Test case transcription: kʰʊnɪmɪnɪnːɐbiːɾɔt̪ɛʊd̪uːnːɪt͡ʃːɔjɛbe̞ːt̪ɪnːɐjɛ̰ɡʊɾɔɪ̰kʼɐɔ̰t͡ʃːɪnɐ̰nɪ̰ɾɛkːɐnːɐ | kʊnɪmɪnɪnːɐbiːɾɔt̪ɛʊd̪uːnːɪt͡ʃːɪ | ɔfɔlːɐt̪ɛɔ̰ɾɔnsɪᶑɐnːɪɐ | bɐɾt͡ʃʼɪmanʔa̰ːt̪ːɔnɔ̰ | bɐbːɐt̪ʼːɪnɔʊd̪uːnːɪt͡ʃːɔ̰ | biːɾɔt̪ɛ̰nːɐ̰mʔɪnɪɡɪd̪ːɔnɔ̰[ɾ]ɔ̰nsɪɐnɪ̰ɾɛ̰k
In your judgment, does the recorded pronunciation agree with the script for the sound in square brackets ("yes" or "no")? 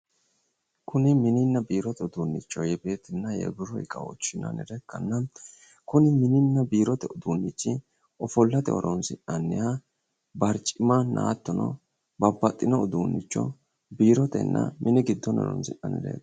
yes